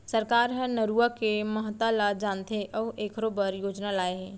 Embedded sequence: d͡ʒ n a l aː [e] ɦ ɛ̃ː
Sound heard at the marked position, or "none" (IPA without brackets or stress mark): e